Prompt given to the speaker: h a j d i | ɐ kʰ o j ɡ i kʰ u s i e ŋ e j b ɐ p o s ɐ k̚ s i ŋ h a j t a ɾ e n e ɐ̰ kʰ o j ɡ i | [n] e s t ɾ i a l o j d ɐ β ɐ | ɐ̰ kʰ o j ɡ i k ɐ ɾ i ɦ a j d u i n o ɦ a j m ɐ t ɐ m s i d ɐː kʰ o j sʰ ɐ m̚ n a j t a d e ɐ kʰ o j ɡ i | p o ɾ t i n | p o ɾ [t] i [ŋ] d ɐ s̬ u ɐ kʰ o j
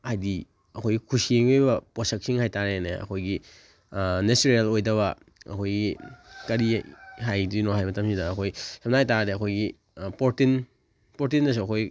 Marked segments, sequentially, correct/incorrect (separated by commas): correct, correct, incorrect